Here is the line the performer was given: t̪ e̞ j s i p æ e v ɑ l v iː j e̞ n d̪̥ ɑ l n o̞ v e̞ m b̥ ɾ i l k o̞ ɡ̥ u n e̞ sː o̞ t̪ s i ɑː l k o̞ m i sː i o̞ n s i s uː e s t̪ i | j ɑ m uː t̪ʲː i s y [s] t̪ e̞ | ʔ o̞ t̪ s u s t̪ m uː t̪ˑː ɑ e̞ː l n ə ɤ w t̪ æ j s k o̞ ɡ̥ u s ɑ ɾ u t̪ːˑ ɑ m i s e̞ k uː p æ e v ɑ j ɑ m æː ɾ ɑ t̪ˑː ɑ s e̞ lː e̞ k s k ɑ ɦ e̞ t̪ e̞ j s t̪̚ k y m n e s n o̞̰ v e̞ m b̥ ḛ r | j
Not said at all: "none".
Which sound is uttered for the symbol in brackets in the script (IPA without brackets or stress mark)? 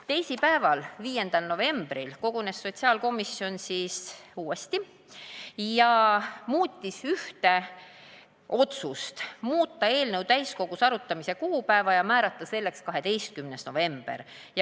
h